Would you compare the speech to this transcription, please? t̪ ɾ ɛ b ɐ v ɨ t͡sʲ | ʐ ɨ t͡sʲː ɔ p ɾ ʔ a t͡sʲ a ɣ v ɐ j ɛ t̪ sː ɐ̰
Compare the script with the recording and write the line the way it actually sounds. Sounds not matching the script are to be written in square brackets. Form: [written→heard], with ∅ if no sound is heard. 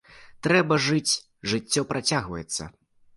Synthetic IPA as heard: t̪ ɾ ɛ b ɐ [v→ʐ] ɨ t͡sʲ | ʐ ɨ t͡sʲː ɔ p ɾ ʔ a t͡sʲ a ɣ v ɐ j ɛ t̪ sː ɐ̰